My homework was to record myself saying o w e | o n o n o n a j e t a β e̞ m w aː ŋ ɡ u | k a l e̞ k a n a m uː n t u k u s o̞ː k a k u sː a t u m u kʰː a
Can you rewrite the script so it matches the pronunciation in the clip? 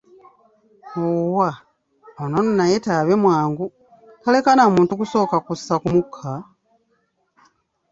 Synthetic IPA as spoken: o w a | o n o n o n a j e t a β e̞ m w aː ŋ ɡ u | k a l e̞ k a n a m uː n t u k u s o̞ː k a k u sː a k u m u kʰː a